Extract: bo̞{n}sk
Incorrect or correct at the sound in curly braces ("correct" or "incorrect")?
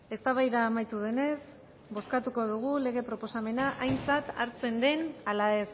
incorrect